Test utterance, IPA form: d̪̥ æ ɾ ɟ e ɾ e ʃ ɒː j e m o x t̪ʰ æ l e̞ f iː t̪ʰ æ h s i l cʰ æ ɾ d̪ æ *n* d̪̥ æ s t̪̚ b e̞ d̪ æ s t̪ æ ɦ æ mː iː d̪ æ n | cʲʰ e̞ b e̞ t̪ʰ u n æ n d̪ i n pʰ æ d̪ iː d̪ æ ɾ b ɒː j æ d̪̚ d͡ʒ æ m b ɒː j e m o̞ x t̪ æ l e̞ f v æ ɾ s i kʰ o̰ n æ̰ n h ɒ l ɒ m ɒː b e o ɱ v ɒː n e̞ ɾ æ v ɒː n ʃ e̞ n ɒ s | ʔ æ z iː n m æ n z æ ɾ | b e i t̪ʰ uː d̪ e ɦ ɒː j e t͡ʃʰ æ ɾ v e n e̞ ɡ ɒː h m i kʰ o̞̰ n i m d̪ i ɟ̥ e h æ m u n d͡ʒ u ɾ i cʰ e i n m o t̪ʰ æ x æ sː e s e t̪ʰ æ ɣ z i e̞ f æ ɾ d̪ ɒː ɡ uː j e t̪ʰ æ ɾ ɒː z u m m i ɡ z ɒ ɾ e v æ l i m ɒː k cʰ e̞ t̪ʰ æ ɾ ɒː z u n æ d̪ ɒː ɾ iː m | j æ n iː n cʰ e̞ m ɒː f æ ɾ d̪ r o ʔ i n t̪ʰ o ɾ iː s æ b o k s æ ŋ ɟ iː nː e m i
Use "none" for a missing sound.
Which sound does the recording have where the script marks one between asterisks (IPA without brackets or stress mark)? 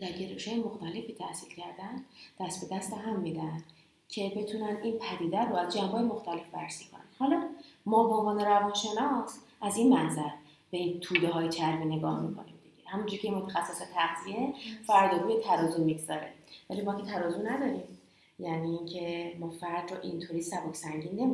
n